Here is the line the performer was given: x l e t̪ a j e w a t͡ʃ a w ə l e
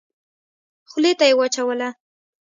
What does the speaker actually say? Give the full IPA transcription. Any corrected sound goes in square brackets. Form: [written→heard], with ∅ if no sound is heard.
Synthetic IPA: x l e t̪ a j e w a t͡ʃ a w ə l [e→a]